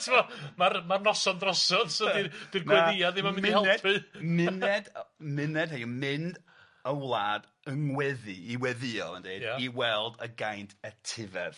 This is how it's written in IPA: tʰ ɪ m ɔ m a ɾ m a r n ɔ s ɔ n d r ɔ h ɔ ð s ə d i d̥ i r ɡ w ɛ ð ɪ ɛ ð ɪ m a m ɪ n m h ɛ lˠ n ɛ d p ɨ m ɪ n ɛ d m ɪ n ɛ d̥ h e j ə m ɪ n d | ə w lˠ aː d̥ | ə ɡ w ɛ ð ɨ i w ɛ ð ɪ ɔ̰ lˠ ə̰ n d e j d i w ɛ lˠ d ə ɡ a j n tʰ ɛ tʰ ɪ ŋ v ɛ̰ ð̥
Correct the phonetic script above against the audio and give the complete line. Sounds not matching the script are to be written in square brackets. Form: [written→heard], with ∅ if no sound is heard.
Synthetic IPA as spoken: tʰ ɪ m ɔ m a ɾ m a r n ɔ s ɔ n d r ɔ [h→s] ɔ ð s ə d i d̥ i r ɡ w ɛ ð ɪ [ɛ→a] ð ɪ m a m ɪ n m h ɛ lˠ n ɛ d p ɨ m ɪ n ɛ d m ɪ n ɛ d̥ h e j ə m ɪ n d | ə w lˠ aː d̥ | ə [ɡ→ŋ] w ɛ ð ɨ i w ɛ ð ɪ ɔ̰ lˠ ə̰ n d e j d i w ɛ lˠ d ə ɡ a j n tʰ ɛ tʰ ɪ [ŋ→∅] v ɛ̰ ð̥